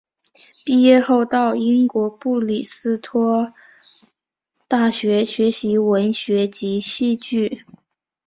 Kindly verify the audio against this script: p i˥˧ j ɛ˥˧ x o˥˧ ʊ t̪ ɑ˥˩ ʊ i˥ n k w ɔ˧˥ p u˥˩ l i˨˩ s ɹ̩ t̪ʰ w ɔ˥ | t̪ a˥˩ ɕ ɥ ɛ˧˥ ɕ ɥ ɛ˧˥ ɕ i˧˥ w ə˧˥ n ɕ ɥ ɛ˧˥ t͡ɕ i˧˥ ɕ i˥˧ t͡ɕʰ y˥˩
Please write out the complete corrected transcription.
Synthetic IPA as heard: p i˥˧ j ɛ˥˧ x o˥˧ ʊ t̪ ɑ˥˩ ʊ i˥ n k w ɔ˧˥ p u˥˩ l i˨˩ s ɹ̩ t̪ʰ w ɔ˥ | t̪ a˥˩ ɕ ɥ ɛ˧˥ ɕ ɥ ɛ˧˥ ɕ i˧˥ w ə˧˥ n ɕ ɥ ɛ˧˥ t͡ɕ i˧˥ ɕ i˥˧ t͡ɕ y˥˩